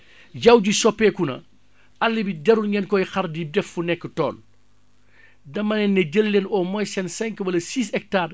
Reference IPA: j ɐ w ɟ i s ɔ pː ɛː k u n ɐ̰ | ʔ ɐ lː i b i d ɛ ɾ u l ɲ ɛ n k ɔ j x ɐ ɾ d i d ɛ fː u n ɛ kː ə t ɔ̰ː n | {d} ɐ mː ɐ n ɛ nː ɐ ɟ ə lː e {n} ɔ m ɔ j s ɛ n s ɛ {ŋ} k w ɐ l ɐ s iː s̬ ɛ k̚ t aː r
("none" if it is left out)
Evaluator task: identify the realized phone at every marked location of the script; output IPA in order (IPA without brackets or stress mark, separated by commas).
d, n, ŋ